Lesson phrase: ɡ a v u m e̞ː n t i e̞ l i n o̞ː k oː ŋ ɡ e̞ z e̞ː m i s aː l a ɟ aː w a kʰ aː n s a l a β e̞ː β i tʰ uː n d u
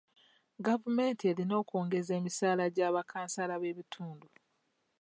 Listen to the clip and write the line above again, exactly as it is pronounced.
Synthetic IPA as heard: ɡ a v u m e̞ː n t i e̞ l i n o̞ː k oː ŋ ɡ e̞ z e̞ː m i s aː l a ɟ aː β a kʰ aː n s a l a β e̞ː β i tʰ uː n d u